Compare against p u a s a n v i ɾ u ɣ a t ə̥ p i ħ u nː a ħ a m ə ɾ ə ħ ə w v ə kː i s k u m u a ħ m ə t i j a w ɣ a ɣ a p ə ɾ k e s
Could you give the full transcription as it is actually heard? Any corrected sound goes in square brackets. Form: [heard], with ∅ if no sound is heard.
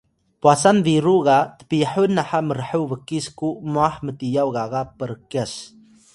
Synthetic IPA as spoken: p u a s a n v i ɾ u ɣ a t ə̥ p i ħ u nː a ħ a m ə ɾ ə ħ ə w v ə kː i s k u m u a ħ m ə t i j a w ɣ a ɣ a p ə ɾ k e s